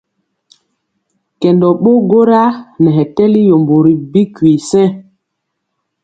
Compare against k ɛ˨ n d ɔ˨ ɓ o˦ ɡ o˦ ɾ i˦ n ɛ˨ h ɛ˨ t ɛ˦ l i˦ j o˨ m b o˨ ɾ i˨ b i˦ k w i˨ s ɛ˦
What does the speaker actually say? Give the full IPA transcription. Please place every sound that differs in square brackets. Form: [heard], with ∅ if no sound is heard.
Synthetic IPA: k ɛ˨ n d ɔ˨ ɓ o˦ ɡ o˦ ɾ [a˦] n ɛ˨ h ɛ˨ t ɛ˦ l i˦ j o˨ m b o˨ ɾ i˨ b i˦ k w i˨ s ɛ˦